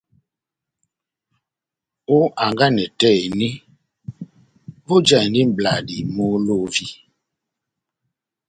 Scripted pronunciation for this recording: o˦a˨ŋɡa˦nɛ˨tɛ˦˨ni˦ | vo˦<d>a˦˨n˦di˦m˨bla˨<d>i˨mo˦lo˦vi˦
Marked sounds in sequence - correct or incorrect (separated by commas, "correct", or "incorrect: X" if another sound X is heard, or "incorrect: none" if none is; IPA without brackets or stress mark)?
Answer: incorrect: d͡ʒ, correct